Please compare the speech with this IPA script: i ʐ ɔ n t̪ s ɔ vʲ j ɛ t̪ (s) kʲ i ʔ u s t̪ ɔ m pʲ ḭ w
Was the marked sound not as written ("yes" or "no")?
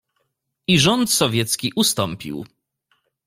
no